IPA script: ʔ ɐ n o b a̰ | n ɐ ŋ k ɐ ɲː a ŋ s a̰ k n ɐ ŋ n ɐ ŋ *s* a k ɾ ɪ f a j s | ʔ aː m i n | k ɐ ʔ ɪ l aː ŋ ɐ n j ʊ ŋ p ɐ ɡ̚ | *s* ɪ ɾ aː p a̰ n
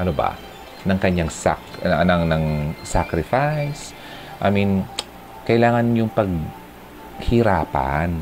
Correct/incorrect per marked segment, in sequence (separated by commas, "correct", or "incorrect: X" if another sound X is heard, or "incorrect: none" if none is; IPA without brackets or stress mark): correct, incorrect: h